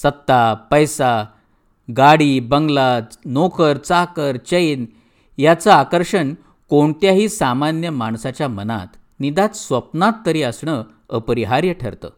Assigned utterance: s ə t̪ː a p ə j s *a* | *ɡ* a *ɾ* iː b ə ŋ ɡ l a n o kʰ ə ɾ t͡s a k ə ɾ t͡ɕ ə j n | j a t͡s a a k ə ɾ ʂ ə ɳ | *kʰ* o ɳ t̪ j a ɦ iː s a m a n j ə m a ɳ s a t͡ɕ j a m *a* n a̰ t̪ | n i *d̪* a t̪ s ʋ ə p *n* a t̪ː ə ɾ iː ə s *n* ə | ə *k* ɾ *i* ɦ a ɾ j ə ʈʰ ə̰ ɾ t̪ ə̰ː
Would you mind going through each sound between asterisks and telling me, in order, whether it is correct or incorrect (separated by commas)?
correct, correct, incorrect, incorrect, incorrect, correct, correct, incorrect, incorrect, correct